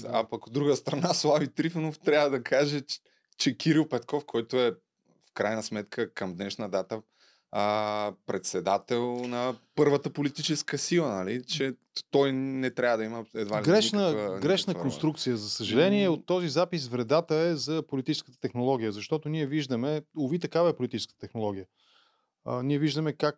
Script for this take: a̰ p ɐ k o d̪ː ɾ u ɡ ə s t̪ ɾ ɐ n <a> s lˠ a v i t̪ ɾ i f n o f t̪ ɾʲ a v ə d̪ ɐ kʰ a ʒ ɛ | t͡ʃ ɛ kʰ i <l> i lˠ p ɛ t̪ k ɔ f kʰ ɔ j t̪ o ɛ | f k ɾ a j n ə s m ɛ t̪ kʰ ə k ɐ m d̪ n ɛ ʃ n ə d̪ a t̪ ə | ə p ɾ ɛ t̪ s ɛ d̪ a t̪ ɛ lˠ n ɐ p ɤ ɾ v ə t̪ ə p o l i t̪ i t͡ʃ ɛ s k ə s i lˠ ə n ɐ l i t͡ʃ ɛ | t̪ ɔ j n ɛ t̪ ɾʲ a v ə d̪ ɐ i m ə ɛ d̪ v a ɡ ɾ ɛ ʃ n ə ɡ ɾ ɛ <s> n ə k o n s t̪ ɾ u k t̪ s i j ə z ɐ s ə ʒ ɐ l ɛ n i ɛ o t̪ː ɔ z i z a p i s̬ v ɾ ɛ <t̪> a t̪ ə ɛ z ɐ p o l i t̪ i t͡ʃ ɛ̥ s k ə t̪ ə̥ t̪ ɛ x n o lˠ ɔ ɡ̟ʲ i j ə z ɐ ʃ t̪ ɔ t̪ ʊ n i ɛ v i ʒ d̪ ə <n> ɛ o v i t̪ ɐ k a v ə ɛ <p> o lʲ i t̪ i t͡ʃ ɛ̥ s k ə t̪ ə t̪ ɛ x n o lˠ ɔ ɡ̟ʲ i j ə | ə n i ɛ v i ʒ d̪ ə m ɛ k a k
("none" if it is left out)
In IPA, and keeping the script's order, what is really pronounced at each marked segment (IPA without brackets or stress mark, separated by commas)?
a, ɾ, ʃ, d̪, m, p